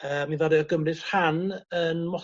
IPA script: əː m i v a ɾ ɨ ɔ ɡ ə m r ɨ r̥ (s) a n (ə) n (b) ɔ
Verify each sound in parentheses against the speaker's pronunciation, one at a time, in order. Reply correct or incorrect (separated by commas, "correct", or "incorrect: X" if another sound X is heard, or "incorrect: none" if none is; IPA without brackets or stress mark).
incorrect: h, correct, incorrect: m